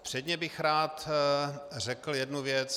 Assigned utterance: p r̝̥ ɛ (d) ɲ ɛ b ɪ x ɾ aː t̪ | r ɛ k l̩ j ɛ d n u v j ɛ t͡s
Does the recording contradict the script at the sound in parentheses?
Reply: no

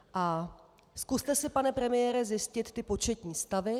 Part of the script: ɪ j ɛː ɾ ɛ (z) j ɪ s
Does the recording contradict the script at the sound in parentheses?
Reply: no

